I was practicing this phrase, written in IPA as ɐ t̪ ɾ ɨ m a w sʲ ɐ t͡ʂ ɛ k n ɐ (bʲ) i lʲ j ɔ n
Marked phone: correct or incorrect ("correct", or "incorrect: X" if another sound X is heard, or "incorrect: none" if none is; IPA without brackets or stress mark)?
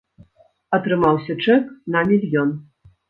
incorrect: mʲ